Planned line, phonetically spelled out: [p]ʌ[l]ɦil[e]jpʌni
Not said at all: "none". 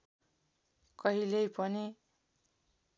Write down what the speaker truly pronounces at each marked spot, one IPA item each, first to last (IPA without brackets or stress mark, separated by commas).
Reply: k, none, e